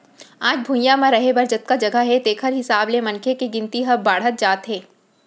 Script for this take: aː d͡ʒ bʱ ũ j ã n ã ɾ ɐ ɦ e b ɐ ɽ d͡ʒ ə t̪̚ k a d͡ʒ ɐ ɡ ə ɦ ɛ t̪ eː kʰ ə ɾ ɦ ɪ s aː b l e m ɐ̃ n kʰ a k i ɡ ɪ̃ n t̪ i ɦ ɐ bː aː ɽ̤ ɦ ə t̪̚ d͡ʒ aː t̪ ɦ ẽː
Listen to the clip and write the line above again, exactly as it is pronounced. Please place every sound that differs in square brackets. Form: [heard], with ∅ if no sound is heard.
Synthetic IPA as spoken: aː d͡ʒ bʱ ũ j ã [m] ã ɾ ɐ ɦ e b ɐ [ɾ] d͡ʒ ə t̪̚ k a d͡ʒ ɐ ɡ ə ɦ ɛ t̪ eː kʰ ə ɾ ɦ ɪ s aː b l e m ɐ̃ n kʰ [e] k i ɡ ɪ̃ n t̪ i ɦ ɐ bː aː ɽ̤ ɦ ə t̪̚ d͡ʒ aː t̪ ɦ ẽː